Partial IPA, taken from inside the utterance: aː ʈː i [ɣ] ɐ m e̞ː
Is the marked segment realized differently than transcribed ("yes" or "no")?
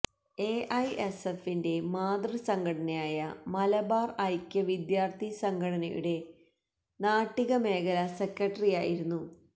no